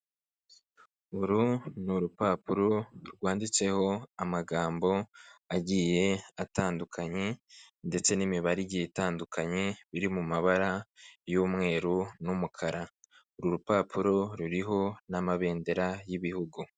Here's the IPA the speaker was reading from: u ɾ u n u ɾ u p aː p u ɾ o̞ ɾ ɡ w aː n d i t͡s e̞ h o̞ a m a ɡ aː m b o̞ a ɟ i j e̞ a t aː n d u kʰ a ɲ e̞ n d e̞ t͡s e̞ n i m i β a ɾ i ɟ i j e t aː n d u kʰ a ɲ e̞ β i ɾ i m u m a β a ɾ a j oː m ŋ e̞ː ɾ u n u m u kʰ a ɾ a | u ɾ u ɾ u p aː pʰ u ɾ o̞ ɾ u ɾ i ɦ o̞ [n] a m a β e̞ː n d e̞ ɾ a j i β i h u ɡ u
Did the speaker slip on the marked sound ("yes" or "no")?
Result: no